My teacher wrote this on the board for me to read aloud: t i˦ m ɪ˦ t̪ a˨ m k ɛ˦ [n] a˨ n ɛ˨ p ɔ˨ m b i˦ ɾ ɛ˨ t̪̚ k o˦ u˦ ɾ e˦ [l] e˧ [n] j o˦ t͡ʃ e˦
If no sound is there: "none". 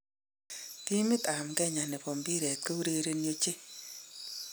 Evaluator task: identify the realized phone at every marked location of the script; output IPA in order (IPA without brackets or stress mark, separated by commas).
ɲ, ɾ, n